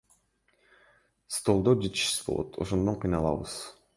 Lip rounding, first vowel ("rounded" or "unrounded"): rounded